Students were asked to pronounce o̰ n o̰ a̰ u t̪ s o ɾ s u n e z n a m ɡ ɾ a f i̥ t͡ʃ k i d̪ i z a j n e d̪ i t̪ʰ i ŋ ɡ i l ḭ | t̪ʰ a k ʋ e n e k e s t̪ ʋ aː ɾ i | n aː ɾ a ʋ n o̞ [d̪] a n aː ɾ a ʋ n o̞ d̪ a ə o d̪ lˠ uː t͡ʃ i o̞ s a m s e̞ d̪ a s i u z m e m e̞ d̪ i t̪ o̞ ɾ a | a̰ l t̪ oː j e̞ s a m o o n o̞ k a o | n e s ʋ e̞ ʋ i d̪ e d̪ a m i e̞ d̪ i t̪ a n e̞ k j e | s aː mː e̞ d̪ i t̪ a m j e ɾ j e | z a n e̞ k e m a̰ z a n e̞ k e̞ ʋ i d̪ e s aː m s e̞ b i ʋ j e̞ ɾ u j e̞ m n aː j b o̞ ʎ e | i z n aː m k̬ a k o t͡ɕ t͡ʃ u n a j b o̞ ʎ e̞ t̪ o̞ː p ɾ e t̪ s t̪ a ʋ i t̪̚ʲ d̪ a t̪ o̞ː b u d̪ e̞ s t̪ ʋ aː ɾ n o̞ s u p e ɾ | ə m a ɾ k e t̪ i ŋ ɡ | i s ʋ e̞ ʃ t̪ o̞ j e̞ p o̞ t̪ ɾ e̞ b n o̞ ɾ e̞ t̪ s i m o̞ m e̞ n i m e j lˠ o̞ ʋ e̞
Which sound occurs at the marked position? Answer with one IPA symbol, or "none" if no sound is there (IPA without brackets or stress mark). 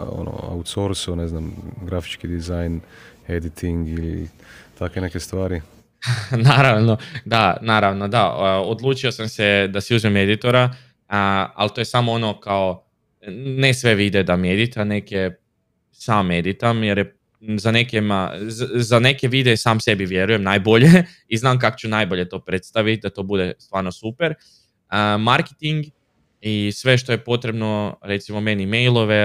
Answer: d̪